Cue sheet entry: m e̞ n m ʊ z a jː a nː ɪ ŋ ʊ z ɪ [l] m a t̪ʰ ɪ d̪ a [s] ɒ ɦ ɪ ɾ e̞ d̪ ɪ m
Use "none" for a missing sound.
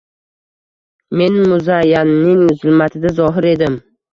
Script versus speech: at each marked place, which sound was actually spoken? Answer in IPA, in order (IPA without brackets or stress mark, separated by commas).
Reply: l, z